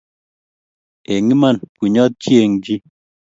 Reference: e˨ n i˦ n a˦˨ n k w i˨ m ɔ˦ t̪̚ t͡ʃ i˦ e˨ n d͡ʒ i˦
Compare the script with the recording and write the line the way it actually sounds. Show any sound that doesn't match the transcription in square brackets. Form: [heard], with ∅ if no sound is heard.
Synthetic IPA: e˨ [ŋ] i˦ [m] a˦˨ n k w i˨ [ɲ] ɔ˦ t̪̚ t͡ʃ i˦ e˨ [ŋ] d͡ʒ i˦